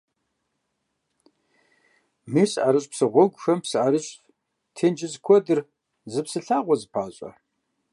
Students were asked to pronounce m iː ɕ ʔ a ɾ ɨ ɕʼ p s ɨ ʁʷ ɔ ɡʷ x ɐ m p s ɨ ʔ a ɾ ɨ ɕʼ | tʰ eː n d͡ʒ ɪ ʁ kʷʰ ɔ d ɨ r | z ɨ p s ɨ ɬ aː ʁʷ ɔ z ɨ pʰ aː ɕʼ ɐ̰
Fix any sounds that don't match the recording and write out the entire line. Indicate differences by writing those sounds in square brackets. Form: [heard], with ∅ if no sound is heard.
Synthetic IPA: m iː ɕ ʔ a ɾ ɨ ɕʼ p s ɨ ʁʷ ɔ ɡʷ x ɐ m p s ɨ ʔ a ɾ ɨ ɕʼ | tʰ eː n d͡ʒ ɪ [z] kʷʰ ɔ d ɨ r | z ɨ p s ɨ ɬ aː ʁʷ ɔ z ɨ pʰ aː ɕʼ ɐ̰